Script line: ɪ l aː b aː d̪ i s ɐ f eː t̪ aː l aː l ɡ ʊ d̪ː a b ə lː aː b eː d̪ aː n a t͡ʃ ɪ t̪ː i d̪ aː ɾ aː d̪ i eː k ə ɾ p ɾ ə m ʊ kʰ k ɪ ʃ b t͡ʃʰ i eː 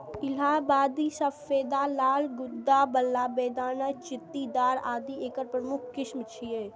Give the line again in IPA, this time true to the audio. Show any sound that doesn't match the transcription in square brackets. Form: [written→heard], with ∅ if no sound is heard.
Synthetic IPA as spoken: ɪ l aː b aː d̪ i s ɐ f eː [t̪→d̪] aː l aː l ɡ ʊ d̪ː a b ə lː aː b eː d̪ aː n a t͡ʃ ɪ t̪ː i d̪ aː ɾ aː d̪ i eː k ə ɾ p ɾ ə m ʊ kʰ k ɪ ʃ [b→m] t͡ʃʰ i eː